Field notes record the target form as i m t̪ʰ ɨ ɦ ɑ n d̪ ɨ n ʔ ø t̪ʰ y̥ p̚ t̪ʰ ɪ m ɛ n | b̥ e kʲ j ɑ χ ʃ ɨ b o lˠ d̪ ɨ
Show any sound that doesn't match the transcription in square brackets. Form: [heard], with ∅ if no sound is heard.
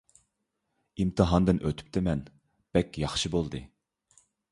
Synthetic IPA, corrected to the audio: i m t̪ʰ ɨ ɦ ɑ n d̪ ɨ n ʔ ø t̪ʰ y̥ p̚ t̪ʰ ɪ m ɛ n | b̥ [ɛ] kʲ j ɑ χ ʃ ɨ b o lˠ d̪ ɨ